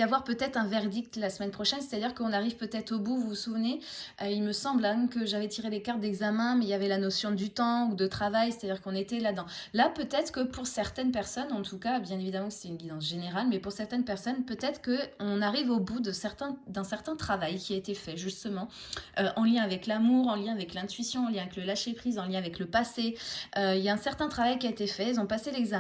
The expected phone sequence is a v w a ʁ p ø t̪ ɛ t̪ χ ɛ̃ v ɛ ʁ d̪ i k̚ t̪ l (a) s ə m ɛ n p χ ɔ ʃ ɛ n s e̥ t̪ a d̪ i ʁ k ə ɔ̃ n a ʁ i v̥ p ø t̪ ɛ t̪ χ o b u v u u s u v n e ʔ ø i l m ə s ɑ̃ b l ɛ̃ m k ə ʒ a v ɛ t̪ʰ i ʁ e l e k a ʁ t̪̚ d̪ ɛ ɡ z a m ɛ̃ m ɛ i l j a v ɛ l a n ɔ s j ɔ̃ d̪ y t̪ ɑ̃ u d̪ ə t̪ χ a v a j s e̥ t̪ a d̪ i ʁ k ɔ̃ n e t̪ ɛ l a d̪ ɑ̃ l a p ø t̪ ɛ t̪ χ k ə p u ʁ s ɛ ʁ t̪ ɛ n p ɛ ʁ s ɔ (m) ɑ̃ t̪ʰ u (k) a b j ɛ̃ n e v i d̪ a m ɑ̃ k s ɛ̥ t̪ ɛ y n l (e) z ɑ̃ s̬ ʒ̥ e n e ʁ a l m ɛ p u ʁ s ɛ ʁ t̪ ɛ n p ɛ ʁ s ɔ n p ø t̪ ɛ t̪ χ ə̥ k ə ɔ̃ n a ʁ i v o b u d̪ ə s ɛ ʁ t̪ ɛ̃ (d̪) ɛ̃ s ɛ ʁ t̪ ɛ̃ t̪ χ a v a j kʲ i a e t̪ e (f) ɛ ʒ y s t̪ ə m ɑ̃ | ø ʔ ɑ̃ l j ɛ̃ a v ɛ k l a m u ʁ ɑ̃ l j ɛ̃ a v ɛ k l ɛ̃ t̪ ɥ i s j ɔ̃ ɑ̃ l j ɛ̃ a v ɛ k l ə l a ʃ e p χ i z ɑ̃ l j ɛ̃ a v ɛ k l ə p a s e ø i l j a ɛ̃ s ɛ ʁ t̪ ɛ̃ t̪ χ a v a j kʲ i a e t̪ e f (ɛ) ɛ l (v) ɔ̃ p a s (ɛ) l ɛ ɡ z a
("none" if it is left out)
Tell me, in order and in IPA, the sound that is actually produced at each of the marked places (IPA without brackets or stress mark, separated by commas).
a, n, k, i, d̪, f, ɛ, z, e